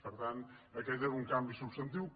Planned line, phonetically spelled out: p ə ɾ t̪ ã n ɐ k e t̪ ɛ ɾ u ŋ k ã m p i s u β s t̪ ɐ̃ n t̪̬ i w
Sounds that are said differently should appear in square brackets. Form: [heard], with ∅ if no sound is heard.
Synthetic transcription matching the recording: p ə ɾ t̪ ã n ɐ k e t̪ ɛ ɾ u ŋ k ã m [b] i s u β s t̪ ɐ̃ n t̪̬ i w